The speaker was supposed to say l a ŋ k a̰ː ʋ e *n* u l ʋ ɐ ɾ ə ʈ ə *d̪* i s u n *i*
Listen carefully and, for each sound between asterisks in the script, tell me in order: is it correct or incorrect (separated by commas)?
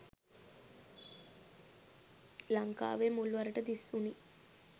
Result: incorrect, correct, correct